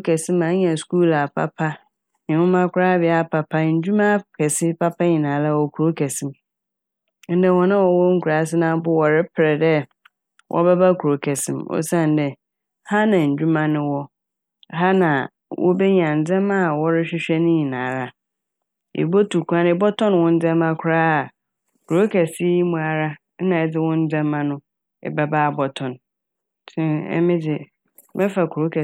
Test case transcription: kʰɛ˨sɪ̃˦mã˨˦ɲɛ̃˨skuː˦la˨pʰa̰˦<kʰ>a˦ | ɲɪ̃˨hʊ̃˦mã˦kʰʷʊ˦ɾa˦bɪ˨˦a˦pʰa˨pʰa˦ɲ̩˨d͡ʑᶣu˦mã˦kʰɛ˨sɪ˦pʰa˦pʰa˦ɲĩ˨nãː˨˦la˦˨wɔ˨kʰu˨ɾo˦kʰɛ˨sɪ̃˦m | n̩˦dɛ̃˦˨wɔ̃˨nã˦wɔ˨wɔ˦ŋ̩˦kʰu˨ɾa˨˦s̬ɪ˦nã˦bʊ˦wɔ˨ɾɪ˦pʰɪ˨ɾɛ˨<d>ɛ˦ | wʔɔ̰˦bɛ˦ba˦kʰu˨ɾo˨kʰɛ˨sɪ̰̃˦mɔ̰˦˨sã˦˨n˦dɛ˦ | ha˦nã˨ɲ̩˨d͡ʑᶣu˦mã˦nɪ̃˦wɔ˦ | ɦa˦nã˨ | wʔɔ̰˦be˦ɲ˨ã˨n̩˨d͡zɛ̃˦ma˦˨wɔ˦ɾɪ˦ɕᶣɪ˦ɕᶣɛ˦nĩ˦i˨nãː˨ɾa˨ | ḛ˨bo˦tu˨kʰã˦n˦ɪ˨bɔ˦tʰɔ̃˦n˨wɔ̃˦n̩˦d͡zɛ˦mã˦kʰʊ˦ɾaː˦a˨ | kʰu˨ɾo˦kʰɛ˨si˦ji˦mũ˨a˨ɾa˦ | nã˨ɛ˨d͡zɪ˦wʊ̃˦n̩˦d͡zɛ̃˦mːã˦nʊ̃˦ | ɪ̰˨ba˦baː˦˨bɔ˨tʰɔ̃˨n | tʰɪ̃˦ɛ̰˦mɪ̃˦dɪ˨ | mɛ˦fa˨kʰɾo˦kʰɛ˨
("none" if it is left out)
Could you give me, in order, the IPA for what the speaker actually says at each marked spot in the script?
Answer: pʰ, d

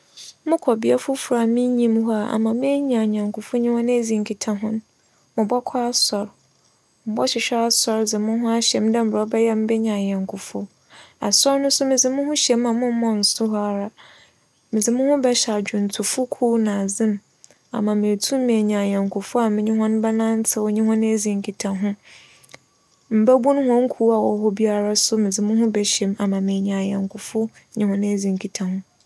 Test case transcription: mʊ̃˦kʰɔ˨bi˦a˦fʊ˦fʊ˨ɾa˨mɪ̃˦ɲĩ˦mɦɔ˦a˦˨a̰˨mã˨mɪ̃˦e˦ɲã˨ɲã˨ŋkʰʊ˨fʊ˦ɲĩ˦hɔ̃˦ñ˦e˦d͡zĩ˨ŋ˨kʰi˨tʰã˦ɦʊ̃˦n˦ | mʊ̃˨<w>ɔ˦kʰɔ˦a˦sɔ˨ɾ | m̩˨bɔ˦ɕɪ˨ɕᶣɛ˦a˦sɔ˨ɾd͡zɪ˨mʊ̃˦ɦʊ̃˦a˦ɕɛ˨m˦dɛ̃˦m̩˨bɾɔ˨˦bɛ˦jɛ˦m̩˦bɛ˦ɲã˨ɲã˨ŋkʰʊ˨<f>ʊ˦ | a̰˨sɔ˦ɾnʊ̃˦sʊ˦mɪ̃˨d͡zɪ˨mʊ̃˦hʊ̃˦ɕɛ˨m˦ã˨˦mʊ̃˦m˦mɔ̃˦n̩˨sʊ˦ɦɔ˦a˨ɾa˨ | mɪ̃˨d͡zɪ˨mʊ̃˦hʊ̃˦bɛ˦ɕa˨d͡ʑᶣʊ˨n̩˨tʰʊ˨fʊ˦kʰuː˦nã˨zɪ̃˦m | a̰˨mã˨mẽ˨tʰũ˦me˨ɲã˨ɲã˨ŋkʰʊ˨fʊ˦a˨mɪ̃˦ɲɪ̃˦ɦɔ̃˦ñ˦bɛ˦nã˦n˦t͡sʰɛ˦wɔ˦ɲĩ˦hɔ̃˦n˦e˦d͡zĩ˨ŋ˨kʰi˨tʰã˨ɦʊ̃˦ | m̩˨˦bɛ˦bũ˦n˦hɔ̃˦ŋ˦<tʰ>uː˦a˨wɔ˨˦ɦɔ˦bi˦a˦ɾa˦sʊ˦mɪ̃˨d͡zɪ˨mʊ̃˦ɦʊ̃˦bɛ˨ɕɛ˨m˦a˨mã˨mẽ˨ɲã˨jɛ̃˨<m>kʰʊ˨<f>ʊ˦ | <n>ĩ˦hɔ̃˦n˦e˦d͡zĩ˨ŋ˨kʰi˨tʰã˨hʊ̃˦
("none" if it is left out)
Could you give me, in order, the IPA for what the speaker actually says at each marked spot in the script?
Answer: b, f, kʰ, ŋ, f, ɲ

